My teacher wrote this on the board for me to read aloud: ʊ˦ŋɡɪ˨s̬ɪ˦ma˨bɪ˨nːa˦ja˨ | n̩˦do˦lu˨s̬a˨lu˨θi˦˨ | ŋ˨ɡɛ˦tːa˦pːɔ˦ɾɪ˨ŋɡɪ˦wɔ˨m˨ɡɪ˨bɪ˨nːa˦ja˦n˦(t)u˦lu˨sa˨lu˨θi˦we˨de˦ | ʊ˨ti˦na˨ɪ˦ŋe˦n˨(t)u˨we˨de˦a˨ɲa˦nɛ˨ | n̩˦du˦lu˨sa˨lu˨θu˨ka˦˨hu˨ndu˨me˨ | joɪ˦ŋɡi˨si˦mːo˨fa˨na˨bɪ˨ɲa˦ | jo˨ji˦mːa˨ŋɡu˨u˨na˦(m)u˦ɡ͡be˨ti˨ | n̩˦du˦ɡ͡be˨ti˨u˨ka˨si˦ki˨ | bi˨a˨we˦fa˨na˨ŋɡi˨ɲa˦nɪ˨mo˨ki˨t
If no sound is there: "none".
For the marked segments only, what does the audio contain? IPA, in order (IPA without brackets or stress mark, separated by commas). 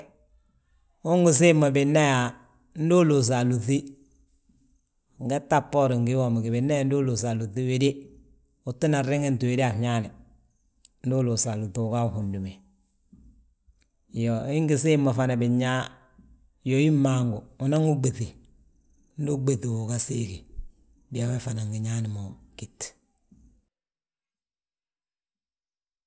d, t, ŋ